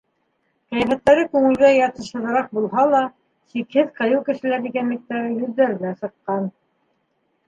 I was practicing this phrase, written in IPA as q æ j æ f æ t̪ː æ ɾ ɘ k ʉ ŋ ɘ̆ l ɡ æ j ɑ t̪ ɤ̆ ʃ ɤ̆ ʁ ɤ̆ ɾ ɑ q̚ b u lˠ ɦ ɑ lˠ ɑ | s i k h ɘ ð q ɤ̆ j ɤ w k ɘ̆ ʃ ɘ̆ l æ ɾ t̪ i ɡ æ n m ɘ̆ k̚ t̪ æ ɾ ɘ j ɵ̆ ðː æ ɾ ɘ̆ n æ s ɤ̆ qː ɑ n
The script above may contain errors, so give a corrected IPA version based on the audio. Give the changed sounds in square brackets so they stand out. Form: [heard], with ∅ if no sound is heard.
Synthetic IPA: q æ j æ f æ t̪ː æ ɾ ɘ k ʉ ŋ ɘ̆ l ɡ æ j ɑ t̪ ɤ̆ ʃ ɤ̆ [ð] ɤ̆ ɾ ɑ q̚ b u lˠ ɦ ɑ lˠ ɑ | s i k h ɘ ð q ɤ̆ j ɤ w k ɘ̆ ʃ ɘ̆ l æ ɾ [d̪] i ɡ æ n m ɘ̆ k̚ t̪ æ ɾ ɘ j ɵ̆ ðː æ ɾ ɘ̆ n æ s ɤ̆ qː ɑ n